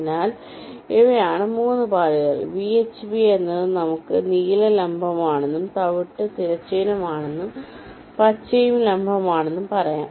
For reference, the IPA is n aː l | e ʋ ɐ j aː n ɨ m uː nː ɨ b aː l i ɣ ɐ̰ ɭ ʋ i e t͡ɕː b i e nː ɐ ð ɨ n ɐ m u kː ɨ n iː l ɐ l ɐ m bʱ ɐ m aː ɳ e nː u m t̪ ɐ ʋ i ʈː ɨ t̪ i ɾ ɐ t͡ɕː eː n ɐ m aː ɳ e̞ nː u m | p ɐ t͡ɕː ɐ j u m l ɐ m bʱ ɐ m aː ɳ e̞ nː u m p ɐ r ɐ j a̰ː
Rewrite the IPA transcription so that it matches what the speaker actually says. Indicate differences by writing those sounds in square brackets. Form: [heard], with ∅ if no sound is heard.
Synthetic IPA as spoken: n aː l | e ʋ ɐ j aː [ɳ] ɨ m uː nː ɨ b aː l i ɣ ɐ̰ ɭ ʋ i e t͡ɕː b i e nː ɐ ð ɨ n ɐ m u kː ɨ n iː l ɐ l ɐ m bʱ ɐ m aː ɳ e nː u m t̪ ɐ ʋ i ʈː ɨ t̪ i ɾ ɐ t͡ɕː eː n ɐ m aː ɳ e̞ nː u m | p ɐ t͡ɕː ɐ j u m l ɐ m bʱ ɐ m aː ɳ e̞ nː u m p ɐ r ɐ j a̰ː